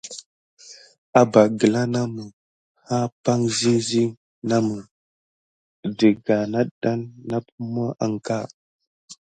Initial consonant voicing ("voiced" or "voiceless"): voiced